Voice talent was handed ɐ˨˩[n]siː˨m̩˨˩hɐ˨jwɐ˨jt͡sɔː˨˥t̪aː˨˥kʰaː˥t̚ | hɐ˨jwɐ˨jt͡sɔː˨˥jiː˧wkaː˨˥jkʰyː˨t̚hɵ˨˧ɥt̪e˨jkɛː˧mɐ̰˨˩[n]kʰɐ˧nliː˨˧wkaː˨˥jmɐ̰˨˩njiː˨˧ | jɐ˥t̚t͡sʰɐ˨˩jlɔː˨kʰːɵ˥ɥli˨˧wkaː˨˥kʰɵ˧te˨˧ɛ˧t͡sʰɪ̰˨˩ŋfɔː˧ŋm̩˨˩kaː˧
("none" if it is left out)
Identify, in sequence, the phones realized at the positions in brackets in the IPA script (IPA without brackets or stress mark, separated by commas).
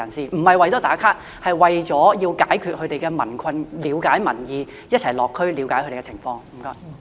n, n